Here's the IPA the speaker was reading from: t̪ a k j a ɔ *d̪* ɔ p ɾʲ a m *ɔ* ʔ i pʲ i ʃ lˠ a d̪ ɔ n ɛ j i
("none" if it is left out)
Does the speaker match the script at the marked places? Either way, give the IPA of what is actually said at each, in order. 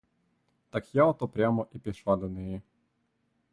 t̪, ɔ

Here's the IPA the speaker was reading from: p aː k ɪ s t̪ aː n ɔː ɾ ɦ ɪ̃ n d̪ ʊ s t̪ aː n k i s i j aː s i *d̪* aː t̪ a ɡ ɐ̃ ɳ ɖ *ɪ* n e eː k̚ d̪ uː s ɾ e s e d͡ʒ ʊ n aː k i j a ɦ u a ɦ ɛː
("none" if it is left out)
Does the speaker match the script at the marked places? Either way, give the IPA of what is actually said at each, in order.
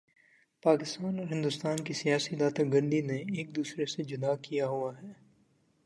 d̪, i

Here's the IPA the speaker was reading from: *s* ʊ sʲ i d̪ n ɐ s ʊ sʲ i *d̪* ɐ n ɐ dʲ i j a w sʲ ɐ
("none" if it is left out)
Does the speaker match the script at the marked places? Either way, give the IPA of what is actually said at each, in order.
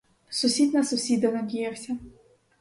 s, d̪

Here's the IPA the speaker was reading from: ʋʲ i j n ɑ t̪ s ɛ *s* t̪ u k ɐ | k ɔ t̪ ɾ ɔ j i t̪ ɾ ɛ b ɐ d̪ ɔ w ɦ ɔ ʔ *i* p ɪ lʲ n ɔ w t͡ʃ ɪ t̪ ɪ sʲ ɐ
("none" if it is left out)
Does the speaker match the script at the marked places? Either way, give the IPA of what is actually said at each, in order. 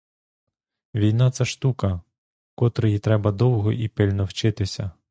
ʃ, i

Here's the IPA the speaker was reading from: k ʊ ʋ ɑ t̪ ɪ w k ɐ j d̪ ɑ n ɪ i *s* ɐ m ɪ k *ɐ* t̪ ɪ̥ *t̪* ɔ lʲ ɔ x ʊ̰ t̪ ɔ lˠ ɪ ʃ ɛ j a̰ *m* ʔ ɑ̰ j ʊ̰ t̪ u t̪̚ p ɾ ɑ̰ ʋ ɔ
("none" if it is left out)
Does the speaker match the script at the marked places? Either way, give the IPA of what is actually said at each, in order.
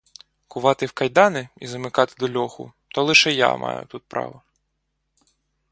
z, ɑ, d̪, m

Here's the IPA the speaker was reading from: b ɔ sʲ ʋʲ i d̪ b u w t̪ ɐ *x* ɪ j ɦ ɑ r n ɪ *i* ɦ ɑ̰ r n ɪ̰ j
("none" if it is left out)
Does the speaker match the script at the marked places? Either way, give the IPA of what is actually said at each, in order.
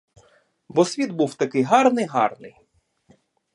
k, j

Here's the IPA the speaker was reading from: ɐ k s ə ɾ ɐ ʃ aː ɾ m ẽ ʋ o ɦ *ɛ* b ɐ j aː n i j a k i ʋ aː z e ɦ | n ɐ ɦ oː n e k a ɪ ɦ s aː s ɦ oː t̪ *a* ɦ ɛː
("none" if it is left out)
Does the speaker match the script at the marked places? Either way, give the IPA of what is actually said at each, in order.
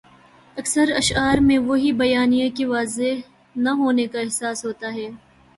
i, a

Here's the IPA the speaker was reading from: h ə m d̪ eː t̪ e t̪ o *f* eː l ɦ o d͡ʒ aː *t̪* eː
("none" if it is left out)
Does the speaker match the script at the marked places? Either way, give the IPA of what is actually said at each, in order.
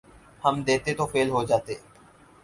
f, t̪

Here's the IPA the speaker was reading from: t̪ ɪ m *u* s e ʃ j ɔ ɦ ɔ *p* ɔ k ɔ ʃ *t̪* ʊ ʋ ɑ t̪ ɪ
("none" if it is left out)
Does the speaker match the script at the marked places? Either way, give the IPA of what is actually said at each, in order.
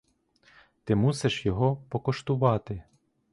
u, p, t̪

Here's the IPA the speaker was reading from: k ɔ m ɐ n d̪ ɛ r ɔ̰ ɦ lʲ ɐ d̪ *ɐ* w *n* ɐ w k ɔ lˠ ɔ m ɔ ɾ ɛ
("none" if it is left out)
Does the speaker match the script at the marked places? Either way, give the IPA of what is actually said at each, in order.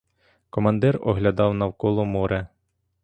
ɑ, n

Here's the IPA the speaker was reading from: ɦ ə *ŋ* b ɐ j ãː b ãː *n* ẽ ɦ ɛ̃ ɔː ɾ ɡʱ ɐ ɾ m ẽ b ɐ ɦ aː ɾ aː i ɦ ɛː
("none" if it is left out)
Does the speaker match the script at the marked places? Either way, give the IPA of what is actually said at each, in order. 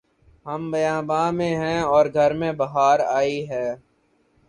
m, m

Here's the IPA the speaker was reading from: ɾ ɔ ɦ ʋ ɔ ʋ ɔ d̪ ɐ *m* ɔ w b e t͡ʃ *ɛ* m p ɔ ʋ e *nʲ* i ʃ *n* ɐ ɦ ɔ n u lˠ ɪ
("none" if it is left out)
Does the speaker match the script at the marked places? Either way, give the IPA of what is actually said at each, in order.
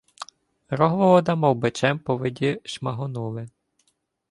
m, ɛ, dʲ, m

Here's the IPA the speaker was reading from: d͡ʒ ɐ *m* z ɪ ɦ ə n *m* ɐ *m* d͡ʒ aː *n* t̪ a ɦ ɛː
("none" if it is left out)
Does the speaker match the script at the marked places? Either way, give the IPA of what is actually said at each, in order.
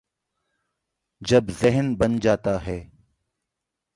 b, b, n, none

